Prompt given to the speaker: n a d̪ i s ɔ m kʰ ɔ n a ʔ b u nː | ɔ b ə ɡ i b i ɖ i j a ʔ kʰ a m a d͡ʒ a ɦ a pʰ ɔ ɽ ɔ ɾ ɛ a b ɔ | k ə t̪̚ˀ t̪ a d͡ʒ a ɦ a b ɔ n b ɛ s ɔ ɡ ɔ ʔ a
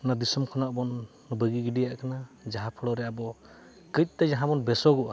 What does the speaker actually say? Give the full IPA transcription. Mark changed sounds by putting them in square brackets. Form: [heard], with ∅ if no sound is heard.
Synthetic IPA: n a d̪ i s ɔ m kʰ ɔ n a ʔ b [ɔ] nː | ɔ b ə ɡ i [ɡ] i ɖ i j a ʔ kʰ a [n] a d͡ʒ a ɦ a pʰ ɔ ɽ ɔ ɾ ɛ a b ɔ | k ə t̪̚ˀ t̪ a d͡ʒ a ɦ a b ɔ n b ɛ s ɔ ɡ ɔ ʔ a

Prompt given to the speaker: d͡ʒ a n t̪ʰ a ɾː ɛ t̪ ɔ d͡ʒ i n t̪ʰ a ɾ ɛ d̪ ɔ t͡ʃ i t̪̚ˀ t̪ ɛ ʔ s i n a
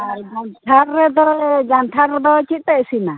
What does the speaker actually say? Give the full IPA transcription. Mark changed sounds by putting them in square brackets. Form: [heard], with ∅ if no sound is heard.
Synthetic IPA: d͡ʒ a n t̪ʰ a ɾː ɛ [d̪] ɔ d͡ʒ [a] n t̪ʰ a ɾ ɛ d̪ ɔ t͡ʃ i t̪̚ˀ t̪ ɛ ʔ s i n a

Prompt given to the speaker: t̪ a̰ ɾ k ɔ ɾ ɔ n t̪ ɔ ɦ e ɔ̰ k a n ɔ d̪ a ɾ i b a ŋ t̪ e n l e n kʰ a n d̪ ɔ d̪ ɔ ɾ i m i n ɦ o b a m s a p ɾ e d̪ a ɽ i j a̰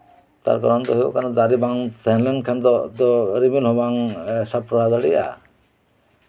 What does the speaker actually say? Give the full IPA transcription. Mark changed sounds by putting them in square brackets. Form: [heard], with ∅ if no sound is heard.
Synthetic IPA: t̪ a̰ ɾ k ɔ ɾ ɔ n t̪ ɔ ɦ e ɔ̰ k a n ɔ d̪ a ɾ i b a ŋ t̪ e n l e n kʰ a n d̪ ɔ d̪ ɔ ɾ i m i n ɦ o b a [ŋ] s a p ɾ [a] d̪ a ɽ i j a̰

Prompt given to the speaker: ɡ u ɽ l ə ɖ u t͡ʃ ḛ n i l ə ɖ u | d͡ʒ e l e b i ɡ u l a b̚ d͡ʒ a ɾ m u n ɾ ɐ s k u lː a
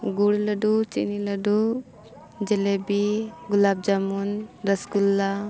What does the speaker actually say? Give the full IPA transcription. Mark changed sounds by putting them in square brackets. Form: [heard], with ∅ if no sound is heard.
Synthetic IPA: ɡ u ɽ l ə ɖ u t͡ʃ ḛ n i l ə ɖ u | d͡ʒ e l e b i ɡ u l a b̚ d͡ʒ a [∅] m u n ɾ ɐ s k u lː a

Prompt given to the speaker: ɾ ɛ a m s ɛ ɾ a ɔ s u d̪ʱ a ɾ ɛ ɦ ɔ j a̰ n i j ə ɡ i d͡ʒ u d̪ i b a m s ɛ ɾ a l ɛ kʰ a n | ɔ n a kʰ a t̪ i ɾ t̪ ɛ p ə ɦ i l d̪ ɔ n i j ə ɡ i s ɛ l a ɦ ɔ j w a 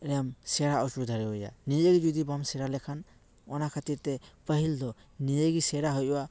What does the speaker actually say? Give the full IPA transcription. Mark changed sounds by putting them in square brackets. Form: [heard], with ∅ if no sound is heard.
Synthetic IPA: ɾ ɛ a m s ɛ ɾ a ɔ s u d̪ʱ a ɾ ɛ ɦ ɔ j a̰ n i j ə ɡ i d͡ʒ u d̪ i b a m s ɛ ɾ a l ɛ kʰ a n | ɔ n a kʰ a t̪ i ɾ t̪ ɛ p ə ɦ i l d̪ ɔ n i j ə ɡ i s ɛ [ɾ] a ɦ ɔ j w a

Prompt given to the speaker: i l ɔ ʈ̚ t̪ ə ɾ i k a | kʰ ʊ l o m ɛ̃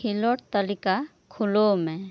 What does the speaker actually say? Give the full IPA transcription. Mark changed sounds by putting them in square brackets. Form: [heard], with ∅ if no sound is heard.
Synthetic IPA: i l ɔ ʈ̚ t̪ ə [l] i k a | kʰ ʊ l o m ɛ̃

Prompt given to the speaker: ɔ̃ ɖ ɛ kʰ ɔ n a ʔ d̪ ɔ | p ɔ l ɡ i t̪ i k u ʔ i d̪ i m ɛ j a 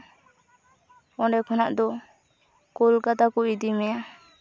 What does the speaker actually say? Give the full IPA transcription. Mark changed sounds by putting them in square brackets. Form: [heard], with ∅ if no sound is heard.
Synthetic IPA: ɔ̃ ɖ ɛ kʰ ɔ n a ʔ d̪ ɔ | [k] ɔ l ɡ [a] t̪ [a] k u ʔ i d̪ i m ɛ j a

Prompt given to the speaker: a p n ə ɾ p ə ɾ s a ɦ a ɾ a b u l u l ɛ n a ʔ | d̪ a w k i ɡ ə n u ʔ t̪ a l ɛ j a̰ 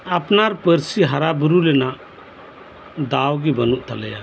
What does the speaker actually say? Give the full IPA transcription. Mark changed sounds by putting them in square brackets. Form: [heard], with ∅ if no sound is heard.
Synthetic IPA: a p n [a] ɾ p ə ɾ s [i] ɦ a ɾ a b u [ɾ] u l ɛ n a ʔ | d̪ a w [ɡ] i [b] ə n u ʔ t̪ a l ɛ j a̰

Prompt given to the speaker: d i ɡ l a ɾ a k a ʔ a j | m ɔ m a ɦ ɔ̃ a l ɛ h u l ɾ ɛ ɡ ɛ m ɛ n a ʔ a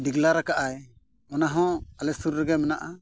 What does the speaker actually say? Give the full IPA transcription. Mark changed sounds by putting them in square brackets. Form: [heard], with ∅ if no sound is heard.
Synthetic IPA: d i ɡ l a ɾ a k a ʔ a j | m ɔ [n] a ɦ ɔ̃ a l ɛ [s] u [ɾ] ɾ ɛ ɡ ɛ m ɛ n a ʔ a

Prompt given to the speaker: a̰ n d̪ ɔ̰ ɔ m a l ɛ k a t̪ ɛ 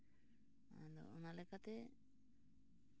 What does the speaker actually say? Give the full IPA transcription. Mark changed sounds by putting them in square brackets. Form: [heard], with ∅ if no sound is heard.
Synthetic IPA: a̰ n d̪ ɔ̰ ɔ [n] a l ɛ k a t̪ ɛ

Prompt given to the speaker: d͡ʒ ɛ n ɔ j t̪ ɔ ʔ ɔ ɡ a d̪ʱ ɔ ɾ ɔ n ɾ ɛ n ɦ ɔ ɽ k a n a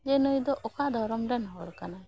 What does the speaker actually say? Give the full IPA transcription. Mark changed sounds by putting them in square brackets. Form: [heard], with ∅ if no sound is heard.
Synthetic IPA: d͡ʒ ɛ n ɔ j [d̪] ɔ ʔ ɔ [k] a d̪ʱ ɔ ɾ ɔ [m] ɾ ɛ n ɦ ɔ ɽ k a n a

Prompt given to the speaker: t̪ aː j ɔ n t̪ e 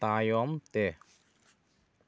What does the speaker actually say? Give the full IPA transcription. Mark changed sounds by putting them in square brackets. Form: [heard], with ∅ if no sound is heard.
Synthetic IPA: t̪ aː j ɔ [m] t̪ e

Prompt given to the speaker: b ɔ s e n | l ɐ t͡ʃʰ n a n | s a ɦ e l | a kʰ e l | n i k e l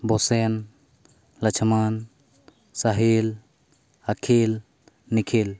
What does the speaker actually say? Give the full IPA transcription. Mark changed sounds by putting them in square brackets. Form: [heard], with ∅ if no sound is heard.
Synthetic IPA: b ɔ s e n | l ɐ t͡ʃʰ [m] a n | s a ɦ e l | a kʰ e l | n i [kʰ] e l

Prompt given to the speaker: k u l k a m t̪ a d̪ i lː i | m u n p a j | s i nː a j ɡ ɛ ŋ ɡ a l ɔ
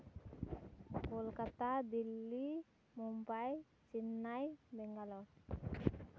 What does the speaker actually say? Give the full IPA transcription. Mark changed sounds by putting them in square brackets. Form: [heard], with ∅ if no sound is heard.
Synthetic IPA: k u l k a [∅] t̪ a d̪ i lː i | m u [m] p a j | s i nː a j [b] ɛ ŋ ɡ a l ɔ

